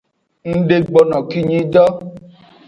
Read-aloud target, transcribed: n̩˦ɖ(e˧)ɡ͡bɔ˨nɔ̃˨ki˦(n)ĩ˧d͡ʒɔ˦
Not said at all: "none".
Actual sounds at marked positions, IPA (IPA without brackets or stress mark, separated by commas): e˧, ɲ